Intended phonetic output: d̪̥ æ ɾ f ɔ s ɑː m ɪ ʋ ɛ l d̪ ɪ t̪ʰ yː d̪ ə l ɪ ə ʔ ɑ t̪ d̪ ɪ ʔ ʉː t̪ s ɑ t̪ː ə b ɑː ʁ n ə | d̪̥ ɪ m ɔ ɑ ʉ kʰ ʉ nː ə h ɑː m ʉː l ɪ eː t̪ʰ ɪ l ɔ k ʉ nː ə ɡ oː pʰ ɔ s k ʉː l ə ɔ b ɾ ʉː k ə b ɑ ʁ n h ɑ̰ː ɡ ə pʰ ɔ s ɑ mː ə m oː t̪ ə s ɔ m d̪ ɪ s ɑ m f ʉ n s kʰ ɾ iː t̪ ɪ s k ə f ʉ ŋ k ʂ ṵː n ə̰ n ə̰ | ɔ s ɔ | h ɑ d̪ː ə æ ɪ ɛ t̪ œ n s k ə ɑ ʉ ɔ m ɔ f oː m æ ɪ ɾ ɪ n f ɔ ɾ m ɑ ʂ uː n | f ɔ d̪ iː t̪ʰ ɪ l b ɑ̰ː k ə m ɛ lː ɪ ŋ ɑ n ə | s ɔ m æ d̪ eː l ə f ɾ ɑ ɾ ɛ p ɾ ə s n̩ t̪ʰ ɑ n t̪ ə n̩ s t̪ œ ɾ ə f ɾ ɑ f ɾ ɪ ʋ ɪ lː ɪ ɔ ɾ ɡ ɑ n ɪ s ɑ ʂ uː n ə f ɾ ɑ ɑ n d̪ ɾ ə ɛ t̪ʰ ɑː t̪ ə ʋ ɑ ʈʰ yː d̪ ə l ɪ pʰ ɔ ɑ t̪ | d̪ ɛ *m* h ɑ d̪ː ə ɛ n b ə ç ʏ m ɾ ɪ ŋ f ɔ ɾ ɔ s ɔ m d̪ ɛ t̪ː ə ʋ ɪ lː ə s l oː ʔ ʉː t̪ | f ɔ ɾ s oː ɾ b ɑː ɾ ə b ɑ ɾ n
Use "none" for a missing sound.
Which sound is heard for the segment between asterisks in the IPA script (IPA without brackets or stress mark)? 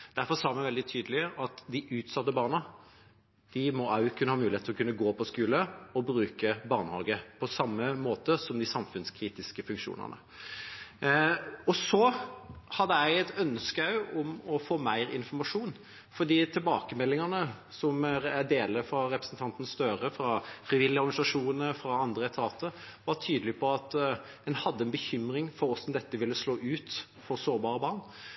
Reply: n